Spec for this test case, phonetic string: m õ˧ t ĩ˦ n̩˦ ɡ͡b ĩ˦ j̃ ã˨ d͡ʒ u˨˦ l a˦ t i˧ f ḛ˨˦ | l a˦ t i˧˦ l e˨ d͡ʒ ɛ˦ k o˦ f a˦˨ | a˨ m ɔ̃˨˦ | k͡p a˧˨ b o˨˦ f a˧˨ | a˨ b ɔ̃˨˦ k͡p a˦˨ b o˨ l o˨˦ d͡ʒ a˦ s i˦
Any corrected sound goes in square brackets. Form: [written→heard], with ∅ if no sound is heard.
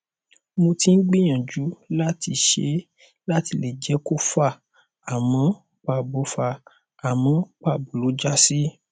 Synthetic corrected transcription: m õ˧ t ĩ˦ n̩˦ ɡ͡b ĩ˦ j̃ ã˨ d͡ʒ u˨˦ l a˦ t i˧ [f→ʃ] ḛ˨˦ | l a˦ t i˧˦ l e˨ d͡ʒ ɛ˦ k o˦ f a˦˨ | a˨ m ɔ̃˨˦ | k͡p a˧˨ b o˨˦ f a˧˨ | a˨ [b→m] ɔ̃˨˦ k͡p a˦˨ b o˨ l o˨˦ d͡ʒ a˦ s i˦